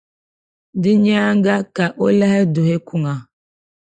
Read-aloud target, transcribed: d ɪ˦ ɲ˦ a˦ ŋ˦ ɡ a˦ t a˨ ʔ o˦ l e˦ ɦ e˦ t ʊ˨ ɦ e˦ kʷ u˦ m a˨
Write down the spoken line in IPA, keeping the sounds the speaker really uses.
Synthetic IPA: d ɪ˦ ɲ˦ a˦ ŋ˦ ɡ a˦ k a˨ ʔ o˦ l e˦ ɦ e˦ d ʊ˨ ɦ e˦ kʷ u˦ ŋ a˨

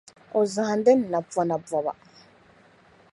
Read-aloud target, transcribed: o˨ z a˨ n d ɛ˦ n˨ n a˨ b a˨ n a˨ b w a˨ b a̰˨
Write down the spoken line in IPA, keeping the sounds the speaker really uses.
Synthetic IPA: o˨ z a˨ n d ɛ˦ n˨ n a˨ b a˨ n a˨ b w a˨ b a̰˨

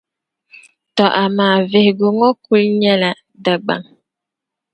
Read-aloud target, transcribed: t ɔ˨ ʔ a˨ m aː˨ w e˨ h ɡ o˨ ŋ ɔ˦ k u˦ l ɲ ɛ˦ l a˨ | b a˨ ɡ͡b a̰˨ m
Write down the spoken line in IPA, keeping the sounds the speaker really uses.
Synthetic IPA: t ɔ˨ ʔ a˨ m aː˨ v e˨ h ɡ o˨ ŋ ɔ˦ k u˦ l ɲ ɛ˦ l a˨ | d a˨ ɡ͡b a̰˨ ŋ

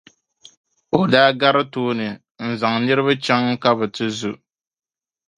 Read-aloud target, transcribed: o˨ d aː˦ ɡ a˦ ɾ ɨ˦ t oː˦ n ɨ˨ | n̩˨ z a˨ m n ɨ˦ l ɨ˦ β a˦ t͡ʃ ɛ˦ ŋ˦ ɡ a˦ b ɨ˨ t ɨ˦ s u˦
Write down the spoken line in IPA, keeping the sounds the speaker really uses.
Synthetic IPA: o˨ d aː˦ ɡ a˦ ɾ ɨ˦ t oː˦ n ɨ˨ | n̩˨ z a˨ ŋ n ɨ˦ ɾ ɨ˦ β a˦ t͡ʃ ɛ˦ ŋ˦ k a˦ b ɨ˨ t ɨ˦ z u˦

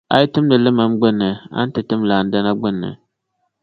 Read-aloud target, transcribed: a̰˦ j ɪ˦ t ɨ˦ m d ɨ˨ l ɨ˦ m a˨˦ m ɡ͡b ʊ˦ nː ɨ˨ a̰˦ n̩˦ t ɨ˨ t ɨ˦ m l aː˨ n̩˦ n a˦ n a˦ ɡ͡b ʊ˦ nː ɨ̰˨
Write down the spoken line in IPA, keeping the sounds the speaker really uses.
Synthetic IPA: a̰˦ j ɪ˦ t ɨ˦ m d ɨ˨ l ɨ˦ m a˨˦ m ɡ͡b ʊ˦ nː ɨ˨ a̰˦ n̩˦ t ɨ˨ t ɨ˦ m l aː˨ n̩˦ d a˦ n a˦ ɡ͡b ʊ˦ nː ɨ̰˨

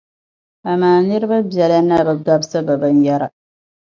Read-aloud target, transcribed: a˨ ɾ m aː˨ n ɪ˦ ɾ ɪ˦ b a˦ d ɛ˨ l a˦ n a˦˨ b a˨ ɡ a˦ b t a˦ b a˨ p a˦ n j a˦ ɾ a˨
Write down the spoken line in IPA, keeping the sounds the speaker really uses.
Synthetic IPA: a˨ m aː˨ n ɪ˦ ɾ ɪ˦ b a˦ b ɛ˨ l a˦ n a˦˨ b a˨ ɡ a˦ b s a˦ b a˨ b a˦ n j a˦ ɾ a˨

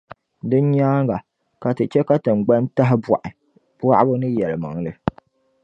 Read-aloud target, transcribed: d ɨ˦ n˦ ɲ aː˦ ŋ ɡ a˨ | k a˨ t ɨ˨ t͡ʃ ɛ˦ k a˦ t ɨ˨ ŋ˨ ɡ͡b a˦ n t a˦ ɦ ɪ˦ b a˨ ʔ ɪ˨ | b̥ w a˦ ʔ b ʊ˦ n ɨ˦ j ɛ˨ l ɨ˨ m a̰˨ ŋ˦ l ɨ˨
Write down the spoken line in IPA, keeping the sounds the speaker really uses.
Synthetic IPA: d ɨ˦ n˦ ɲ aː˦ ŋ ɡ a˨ | k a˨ t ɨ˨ t͡ʃ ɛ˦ k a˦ t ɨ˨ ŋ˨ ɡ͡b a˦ n t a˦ ɦ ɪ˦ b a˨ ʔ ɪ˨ | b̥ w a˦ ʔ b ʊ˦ n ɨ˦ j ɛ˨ l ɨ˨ m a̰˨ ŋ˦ l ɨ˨

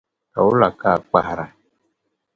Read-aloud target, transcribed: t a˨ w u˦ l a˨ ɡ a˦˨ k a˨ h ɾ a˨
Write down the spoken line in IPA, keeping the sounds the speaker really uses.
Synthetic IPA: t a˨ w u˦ l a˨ k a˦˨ k͡p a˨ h ɾ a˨

